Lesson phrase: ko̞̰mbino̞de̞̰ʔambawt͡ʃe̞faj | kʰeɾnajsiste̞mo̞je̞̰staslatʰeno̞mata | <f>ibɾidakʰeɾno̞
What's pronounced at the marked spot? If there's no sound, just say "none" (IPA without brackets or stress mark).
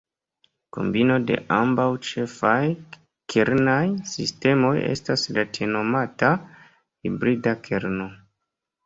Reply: h